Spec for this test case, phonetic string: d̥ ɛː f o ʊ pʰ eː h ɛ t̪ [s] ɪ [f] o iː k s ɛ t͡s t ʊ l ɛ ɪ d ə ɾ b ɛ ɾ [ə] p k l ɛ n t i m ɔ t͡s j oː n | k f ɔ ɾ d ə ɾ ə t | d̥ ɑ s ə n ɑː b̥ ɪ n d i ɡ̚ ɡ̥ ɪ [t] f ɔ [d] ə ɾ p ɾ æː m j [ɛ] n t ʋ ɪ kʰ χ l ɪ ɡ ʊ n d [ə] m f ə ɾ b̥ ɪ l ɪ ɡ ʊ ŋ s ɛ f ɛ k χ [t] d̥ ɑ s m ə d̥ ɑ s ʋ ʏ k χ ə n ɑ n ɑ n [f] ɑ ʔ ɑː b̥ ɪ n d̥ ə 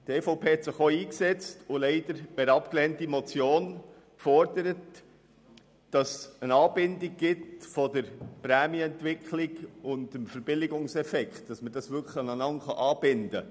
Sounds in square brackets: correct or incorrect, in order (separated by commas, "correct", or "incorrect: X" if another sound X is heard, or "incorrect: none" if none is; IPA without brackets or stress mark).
correct, incorrect: χ, incorrect: ɑ, correct, correct, correct, correct, correct, incorrect: χ